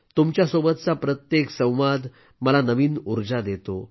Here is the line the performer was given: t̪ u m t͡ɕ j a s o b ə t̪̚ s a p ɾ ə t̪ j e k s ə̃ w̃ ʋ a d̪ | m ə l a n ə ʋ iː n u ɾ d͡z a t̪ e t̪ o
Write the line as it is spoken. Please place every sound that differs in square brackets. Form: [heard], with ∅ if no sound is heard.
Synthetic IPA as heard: t̪ u m t͡ɕ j a s o b ə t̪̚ [t͡s] a p ɾ ə t̪ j e k s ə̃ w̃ ʋ a d̪ | m ə l a n ə ʋ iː n u ɾ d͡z a [d̪] e t̪ o